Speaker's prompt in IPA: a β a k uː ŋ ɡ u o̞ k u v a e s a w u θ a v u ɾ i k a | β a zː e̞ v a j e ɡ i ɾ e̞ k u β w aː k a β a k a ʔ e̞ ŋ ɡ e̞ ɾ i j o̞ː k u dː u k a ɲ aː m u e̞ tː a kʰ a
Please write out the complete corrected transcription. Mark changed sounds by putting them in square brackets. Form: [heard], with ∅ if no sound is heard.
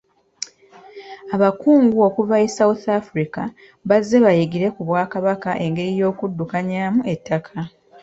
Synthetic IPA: a β a k uː ŋ ɡ u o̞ k u v a e s a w u θ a [f] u ɾ i k a | β a zː e̞ [β] a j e ɡ i ɾ e̞ k u β w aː k a β a k a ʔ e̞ ŋ ɡ e̞ ɾ i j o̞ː k u dː u k a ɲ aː m u e̞ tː a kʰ a